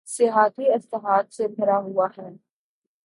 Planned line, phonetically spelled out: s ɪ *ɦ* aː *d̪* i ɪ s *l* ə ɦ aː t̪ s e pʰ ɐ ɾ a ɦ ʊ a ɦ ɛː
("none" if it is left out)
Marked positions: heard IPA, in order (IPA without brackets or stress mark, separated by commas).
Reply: ɦ, t̪, l